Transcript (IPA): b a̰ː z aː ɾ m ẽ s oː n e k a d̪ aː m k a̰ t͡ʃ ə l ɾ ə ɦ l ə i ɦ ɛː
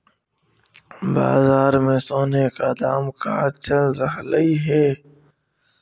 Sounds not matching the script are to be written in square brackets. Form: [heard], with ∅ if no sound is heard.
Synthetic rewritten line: b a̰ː z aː ɾ m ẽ s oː n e k a d̪ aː m k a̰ t͡ʃ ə l ɾ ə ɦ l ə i ɦ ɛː